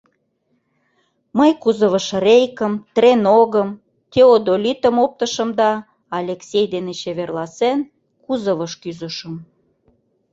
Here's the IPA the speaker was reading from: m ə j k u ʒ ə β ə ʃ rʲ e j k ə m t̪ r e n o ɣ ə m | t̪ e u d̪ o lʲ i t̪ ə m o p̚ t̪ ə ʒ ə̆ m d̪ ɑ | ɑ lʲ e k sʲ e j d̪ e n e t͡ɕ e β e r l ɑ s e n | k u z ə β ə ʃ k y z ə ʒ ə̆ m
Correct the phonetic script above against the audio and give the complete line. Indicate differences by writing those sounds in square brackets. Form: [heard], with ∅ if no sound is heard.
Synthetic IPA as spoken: m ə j k u [z] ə β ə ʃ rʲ e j k ə m t̪ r e n o ɣ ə m | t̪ e [o] d̪ o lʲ i t̪ ə m o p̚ t̪ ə [ʃ] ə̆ m d̪ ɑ | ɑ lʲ e k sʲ e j d̪ e n e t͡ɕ e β e r l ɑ s e n | k u z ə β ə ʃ k y z ə [ʃ] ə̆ m